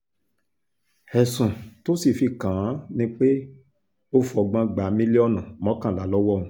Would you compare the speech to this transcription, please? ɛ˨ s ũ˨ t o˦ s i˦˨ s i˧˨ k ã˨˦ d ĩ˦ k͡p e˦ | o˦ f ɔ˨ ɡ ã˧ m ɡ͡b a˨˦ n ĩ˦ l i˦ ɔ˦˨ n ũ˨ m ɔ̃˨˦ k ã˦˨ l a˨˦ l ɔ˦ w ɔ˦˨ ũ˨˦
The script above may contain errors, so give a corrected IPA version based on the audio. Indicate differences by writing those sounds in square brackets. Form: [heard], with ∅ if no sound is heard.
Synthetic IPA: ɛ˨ s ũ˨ t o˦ s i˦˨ [f] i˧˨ k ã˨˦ [n] ĩ˦ k͡p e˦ | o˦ f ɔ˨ [ɡ͡b] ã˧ [∅] ɡ͡b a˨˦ [m] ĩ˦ l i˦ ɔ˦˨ n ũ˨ m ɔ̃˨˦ k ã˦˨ l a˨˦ l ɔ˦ w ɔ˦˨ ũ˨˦